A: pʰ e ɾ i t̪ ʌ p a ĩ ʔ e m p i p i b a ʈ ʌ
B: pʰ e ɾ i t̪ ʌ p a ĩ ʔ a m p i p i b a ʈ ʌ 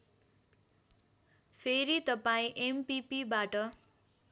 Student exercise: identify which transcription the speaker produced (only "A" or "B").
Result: A